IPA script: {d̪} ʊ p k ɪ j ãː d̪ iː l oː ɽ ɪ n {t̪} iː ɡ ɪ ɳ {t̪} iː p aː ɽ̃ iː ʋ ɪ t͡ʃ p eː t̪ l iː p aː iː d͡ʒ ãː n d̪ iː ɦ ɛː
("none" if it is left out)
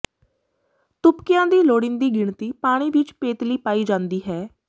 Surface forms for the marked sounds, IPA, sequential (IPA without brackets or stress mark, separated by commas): t̪, d̪, t̪